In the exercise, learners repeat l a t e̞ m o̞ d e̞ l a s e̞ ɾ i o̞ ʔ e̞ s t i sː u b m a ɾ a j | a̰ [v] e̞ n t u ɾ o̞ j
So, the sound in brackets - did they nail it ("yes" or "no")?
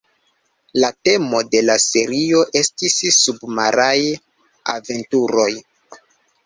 yes